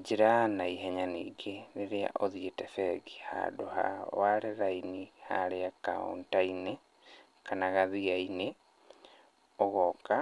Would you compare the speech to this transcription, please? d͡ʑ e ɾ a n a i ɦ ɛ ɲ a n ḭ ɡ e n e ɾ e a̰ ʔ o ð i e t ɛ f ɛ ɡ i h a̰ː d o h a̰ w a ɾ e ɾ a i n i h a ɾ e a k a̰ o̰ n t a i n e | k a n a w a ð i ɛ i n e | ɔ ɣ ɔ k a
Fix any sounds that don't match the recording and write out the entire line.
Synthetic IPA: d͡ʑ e ɾ a n a i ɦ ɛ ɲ a n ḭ ɡ e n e ɾ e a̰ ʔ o ð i e t ɛ f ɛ ɡ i h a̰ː d o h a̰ w a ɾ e ɾ a i n i h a ɾ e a k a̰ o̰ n t a i n e | k a n a ɣ a ð i a i n e | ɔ ɣ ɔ k a